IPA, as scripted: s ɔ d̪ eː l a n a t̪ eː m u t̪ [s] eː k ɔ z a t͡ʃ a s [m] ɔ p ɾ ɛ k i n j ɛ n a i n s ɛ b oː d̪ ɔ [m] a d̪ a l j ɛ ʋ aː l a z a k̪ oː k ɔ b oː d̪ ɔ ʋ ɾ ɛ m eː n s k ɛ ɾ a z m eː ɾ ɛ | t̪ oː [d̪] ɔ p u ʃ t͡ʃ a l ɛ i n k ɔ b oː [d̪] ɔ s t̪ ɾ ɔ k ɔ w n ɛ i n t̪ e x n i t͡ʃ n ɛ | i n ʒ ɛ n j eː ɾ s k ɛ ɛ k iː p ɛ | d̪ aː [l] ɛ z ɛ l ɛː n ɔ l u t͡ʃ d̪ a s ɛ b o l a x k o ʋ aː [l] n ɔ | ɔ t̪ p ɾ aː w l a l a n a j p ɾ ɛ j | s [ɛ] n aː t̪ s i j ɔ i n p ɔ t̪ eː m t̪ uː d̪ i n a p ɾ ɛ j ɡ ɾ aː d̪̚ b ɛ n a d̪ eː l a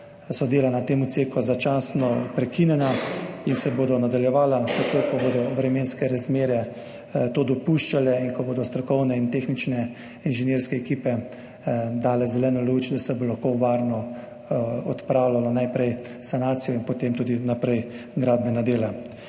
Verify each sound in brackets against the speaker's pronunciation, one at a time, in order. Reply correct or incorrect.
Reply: correct, incorrect: n, incorrect: n, correct, correct, correct, incorrect: ɾ, incorrect: a

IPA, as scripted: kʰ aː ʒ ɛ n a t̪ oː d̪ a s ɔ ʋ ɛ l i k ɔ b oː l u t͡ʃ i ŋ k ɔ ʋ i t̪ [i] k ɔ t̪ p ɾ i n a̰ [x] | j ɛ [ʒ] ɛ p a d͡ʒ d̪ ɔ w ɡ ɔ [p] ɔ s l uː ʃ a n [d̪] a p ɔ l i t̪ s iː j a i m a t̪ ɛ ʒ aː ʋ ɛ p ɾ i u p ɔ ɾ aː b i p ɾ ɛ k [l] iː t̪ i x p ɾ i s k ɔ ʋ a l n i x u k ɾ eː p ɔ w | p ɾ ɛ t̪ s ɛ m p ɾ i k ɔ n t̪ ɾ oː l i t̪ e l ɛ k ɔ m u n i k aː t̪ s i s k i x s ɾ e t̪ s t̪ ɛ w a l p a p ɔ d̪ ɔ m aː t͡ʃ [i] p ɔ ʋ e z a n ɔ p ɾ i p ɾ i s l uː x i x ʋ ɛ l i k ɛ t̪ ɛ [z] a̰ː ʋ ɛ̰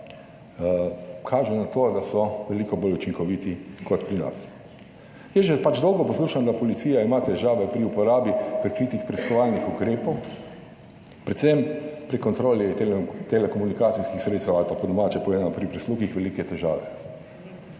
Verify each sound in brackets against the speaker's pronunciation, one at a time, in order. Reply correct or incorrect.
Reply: correct, incorrect: s, correct, correct, correct, incorrect: ɾ, incorrect: ɛ, incorrect: ʒ

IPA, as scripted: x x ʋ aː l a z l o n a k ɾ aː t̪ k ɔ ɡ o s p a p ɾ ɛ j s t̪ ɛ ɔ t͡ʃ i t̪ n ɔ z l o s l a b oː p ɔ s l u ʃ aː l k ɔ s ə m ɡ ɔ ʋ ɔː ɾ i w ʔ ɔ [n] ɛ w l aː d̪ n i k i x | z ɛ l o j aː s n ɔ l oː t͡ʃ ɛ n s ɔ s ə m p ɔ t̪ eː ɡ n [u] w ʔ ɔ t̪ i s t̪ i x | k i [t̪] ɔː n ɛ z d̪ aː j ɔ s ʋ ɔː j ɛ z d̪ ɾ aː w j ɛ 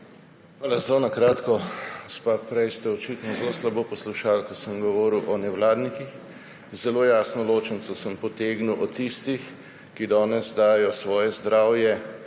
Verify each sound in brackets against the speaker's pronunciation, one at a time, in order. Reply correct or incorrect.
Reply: correct, correct, incorrect: d̪

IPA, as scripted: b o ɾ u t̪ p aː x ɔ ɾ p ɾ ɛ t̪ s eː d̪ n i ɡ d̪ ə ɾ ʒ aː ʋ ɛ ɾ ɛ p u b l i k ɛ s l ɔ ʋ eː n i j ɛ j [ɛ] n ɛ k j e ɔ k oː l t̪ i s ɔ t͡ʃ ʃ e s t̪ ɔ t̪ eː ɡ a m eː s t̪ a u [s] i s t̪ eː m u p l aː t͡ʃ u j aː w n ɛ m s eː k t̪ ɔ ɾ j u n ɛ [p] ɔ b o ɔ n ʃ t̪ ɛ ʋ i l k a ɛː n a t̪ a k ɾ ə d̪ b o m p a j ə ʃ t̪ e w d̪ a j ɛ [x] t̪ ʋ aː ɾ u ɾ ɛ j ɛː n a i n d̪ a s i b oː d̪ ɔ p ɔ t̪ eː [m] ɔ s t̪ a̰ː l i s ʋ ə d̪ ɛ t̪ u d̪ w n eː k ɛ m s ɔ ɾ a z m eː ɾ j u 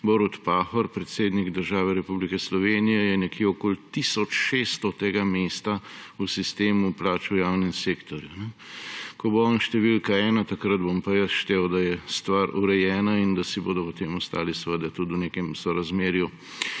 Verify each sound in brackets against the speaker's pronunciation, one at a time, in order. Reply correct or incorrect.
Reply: correct, correct, incorrect: k, incorrect: s, correct

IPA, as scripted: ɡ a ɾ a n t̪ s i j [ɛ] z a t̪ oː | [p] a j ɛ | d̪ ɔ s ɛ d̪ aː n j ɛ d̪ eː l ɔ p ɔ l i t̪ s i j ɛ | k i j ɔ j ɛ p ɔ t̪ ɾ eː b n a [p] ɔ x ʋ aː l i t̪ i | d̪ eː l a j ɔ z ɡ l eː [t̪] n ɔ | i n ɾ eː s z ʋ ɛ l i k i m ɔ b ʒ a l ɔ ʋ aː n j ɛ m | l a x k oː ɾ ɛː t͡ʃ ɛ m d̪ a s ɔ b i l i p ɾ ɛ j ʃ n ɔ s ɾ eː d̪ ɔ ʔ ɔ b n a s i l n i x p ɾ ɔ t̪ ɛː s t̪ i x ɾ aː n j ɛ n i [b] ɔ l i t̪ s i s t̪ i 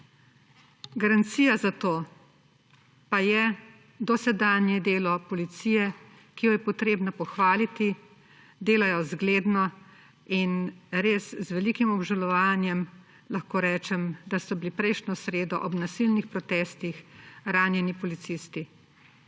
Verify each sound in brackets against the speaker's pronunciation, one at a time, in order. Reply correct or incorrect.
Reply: incorrect: a, correct, correct, incorrect: d̪, incorrect: p

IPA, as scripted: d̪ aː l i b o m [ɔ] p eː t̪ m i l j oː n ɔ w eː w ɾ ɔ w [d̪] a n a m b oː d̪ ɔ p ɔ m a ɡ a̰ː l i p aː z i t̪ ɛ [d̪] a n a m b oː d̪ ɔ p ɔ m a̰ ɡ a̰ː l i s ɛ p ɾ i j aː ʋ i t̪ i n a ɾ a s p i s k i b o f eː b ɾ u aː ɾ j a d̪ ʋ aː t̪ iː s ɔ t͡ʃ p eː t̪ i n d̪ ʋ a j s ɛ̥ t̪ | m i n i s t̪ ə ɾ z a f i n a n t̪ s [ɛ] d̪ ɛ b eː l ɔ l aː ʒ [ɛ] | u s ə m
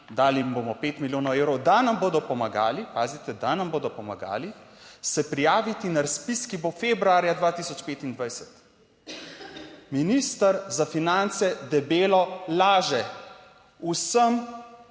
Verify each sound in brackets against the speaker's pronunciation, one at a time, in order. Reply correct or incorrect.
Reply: correct, correct, correct, correct, correct

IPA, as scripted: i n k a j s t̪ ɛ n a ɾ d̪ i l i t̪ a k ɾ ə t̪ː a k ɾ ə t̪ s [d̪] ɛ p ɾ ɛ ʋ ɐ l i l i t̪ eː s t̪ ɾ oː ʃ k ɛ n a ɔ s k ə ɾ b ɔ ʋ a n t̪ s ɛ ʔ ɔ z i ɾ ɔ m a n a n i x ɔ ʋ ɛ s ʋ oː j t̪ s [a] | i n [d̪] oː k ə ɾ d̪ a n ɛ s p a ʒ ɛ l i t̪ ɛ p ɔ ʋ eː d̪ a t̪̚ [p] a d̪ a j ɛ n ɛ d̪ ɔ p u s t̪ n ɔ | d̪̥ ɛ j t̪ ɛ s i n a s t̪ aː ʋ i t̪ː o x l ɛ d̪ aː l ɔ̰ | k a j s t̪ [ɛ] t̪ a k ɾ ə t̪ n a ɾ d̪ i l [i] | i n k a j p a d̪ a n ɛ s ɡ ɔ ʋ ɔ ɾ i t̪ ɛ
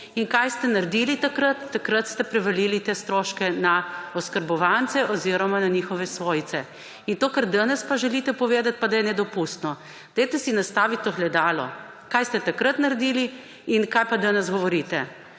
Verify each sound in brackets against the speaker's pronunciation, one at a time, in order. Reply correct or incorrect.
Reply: incorrect: t̪, incorrect: ɛ, incorrect: t̪, correct, correct, correct

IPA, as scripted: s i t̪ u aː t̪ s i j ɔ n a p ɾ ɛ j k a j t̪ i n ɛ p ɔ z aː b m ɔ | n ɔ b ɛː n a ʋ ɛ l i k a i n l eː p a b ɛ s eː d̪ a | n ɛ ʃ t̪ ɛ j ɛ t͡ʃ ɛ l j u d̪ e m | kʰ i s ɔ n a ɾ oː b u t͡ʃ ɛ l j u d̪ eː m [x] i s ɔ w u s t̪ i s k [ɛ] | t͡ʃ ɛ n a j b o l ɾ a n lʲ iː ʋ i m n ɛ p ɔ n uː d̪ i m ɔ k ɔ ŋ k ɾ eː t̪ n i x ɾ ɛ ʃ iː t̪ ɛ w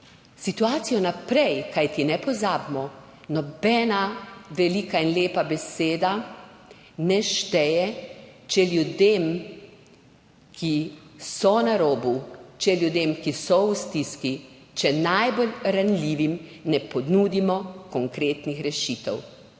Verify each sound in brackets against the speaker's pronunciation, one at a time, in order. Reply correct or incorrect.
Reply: incorrect: k, incorrect: i

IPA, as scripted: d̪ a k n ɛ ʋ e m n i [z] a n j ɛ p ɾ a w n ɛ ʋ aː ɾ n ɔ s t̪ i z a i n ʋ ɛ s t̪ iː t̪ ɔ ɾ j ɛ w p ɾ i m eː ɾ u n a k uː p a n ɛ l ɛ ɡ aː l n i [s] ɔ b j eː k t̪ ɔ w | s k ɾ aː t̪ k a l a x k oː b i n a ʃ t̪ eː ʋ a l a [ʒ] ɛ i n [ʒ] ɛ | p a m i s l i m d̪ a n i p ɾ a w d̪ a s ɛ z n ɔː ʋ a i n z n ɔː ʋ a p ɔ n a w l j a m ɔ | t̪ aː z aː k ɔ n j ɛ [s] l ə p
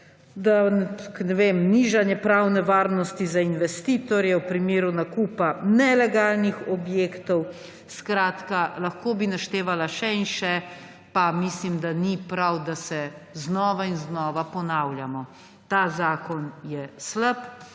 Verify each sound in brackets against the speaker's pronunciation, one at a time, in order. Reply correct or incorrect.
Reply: incorrect: ʒ, incorrect: x, incorrect: ʃ, incorrect: ʃ, correct

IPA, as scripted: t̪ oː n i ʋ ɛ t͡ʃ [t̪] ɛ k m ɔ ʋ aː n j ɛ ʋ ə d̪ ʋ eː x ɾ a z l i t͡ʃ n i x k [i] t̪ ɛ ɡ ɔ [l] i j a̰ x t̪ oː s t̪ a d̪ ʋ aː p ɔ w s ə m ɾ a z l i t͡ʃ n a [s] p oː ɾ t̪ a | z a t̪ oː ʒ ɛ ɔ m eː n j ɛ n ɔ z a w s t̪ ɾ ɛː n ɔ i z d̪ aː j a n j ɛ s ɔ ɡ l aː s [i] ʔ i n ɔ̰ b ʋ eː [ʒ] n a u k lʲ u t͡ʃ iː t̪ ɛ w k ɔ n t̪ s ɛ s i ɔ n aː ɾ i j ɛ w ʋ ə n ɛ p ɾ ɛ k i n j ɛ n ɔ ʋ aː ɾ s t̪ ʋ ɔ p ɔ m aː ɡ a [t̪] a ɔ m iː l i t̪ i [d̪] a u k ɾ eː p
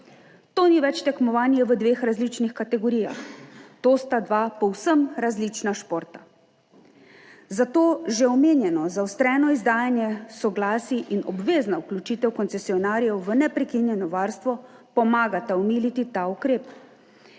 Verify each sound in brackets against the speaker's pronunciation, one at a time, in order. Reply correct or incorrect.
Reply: correct, incorrect: a, incorrect: ɾ, incorrect: ʃ, correct, incorrect: z, correct, incorrect: t̪

